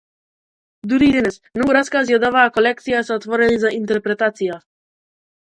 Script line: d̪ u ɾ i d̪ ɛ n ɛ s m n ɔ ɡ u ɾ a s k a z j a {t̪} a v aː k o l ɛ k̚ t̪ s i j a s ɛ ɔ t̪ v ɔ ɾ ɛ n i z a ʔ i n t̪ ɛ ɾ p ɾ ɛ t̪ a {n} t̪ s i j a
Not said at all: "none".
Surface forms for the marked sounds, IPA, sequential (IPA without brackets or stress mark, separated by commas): d̪, none